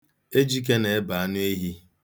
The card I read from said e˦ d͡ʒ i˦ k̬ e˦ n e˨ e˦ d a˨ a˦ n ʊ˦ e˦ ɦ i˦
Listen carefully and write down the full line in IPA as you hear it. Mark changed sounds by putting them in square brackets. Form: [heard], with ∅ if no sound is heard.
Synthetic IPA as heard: e˦ d͡ʒ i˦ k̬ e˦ n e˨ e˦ [b] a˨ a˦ n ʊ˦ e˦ ɦ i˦